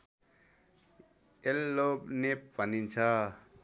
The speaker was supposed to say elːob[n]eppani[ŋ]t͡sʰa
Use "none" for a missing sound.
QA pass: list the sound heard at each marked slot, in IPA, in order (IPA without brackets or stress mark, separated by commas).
n, n